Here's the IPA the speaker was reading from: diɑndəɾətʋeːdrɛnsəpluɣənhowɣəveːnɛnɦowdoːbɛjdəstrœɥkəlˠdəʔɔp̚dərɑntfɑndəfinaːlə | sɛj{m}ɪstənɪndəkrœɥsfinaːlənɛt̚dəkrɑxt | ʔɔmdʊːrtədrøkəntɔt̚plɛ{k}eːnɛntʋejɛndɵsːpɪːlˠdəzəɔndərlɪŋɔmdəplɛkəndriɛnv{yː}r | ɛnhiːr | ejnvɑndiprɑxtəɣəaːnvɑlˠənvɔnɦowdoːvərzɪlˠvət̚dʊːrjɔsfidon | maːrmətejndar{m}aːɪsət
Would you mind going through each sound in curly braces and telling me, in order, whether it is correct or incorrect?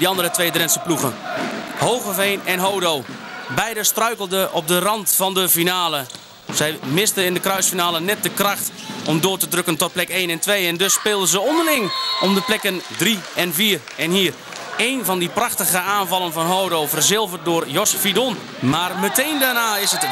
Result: correct, correct, incorrect: iː, incorrect: n

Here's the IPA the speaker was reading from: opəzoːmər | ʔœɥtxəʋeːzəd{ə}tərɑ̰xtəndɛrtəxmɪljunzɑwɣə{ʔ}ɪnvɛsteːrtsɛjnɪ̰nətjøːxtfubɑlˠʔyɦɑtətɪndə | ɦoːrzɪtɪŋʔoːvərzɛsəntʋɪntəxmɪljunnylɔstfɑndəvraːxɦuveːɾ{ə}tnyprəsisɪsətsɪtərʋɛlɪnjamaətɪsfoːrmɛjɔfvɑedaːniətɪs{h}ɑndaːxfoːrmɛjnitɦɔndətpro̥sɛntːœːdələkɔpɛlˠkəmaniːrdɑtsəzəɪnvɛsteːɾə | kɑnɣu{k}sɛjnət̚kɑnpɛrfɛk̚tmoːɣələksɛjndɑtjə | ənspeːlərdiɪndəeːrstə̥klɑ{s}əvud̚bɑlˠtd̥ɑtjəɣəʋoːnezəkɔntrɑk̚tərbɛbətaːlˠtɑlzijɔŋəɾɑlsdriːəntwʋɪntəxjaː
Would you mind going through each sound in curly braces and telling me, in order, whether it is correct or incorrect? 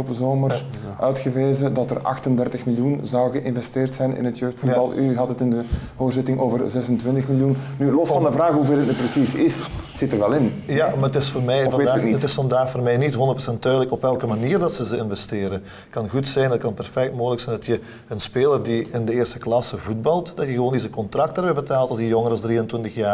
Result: incorrect: ɑ, correct, correct, incorrect: f, incorrect: t, correct

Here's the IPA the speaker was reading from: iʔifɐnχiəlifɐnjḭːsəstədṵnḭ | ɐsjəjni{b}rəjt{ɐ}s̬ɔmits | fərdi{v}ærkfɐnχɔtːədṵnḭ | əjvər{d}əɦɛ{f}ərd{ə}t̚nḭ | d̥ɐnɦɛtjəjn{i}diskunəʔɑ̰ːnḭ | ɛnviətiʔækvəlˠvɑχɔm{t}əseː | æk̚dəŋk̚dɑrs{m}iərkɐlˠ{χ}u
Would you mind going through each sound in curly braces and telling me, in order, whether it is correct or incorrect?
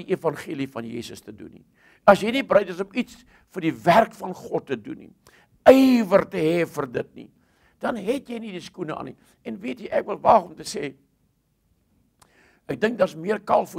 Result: correct, incorrect: ə, correct, incorrect: t, correct, correct, correct, correct, correct, incorrect: f

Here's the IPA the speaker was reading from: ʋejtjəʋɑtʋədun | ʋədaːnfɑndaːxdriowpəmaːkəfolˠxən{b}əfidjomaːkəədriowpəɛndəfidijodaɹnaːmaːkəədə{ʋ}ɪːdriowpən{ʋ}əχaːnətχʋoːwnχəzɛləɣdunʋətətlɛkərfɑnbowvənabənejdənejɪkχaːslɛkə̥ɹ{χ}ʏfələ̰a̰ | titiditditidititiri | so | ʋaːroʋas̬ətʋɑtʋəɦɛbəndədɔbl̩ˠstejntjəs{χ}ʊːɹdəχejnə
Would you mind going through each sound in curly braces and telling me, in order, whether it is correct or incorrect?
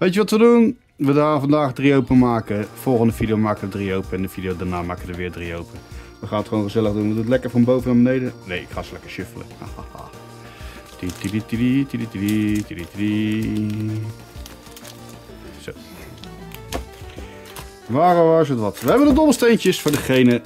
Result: incorrect: d, correct, correct, incorrect: ʃ, incorrect: f

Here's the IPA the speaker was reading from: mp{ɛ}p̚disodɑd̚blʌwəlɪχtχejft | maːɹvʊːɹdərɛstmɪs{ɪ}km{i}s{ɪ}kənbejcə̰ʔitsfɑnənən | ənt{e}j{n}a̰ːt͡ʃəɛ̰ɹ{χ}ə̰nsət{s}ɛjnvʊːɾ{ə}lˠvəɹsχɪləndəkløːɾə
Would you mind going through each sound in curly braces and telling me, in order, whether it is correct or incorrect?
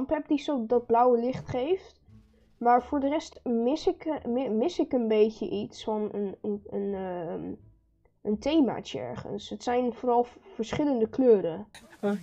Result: correct, correct, incorrect: ɪ, correct, correct, incorrect: m, correct, correct, incorrect: ɑ

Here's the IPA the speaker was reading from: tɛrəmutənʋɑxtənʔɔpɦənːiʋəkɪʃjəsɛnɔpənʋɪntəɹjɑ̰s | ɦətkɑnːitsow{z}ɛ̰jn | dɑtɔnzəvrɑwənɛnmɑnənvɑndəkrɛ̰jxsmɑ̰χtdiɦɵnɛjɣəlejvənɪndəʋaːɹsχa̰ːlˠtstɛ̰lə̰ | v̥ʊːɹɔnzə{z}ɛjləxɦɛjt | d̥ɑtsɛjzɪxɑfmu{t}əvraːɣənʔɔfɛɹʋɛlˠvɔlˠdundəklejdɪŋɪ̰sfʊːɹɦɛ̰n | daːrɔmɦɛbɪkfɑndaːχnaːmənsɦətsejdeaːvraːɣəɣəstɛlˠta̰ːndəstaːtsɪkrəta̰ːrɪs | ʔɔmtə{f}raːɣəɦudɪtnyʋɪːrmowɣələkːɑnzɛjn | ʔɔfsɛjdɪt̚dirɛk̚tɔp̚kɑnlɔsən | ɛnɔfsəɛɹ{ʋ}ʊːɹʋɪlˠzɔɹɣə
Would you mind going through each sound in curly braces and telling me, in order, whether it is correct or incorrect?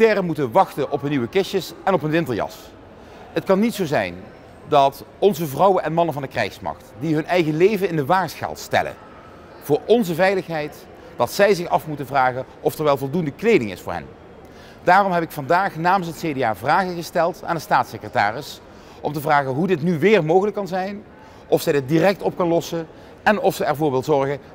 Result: correct, incorrect: v, correct, incorrect: v, incorrect: v

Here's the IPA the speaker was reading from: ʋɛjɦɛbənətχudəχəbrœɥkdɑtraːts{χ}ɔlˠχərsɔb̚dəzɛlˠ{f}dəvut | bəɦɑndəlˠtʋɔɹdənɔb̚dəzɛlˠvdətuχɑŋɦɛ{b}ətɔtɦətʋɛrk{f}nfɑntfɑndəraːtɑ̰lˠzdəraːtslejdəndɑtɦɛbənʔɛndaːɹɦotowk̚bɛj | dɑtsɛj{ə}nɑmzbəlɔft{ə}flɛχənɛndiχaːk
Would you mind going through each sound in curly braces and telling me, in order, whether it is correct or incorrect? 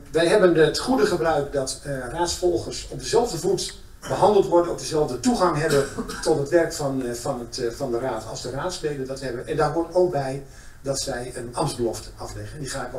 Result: incorrect: f, incorrect: v, correct, correct, correct, incorrect: ɑ

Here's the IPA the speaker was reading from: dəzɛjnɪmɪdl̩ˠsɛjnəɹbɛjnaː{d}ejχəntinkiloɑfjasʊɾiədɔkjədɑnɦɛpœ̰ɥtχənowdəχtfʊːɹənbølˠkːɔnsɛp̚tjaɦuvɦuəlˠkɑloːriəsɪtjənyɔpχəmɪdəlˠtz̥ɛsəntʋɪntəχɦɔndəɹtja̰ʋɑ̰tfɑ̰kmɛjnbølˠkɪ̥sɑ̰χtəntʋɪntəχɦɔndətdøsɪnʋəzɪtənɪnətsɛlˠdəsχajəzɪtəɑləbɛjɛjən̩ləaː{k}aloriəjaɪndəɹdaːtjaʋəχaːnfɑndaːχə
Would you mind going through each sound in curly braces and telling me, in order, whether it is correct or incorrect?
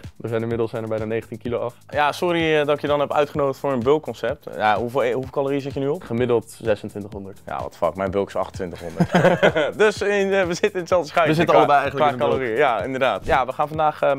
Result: incorrect: n, correct

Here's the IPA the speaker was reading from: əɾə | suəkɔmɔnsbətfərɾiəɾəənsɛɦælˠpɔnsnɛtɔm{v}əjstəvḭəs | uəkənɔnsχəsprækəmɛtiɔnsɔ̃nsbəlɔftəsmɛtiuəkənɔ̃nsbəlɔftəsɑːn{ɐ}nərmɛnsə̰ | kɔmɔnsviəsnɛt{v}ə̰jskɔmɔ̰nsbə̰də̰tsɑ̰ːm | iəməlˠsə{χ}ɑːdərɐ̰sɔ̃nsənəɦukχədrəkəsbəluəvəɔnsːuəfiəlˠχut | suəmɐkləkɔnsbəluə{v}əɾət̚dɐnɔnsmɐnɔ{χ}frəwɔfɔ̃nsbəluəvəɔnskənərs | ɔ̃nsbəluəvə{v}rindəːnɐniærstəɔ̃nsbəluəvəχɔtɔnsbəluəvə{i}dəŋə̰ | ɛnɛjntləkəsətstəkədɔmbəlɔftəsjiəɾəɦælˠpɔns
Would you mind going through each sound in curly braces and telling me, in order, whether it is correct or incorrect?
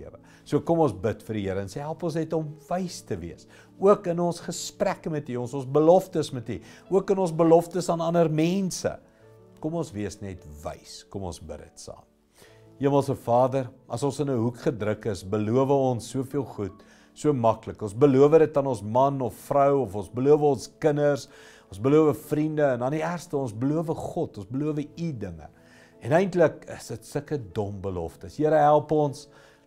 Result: correct, correct, correct, incorrect: f, correct, incorrect: f, incorrect: f, correct

